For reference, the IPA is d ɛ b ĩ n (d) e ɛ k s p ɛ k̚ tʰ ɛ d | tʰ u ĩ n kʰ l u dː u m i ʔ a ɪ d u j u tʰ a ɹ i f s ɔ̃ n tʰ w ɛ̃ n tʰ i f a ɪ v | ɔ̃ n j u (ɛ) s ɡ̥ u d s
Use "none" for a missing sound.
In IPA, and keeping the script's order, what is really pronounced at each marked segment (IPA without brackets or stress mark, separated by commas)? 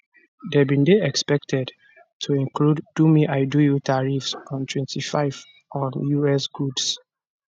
d, ɛ